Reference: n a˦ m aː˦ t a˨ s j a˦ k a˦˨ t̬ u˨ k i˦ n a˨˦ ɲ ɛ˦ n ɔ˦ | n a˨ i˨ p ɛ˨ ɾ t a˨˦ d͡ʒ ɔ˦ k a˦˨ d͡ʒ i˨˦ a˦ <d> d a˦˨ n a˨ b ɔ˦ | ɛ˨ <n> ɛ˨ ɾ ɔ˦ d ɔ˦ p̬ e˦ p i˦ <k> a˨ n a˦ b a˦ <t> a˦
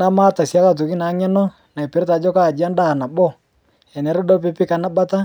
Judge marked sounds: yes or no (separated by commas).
no, yes, yes, yes